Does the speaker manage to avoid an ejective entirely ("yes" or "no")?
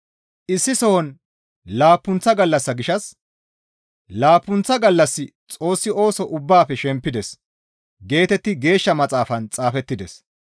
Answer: no